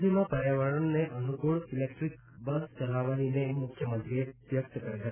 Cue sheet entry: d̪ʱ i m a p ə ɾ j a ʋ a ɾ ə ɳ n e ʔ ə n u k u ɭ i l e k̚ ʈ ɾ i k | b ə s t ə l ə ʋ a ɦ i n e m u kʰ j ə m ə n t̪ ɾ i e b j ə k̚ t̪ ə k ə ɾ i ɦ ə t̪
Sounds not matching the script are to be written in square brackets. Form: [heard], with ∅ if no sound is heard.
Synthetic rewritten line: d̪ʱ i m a p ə ɾ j a ʋ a ɾ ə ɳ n e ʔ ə n u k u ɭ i l e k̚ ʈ ɾ i k | b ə s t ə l [a] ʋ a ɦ i n e m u kʰ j ə m ə n t̪ ɾ i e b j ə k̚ t̪ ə k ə ɾ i ɦ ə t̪